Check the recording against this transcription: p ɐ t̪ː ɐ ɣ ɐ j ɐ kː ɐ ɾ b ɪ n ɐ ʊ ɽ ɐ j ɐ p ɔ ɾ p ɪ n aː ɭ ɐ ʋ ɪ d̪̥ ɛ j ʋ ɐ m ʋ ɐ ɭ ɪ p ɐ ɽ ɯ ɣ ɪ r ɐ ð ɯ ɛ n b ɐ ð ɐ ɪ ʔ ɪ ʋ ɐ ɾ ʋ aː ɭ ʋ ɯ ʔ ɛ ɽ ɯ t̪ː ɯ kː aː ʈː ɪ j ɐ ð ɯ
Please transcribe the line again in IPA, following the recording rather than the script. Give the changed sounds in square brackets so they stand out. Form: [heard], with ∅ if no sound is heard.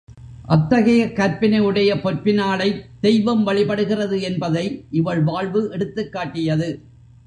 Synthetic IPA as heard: [ʔ] ɐ t̪ː ɐ ɣ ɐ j ɐ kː ɐ ɾ [p] ɪ n ɐ [ɯ] ɽ ɐ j ɐ p ɔ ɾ p ɪ n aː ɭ ɐ [∅] ɪ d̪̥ ɛ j ʋ ɐ m ʋ ɐ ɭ ɪ p ɐ ɽ ɯ ɣ ɪ r ɐ ð ɯ ɛ n b ɐ ð ɐ ɪ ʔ ɪ ʋ ɐ [ɭ] ʋ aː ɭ ʋ ɯ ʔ ɛ ɽ ɯ t̪ː ɯ kː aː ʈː ɪ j ɐ ð ɯ